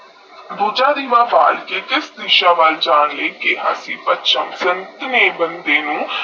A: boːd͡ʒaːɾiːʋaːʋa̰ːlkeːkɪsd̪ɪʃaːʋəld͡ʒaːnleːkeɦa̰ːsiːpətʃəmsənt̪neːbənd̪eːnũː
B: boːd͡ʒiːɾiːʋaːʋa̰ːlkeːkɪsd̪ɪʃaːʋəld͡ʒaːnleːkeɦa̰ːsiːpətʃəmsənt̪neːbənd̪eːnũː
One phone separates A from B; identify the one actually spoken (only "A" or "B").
A